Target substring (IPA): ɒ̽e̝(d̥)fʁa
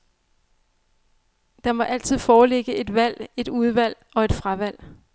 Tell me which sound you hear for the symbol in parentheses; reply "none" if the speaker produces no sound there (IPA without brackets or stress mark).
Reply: d̥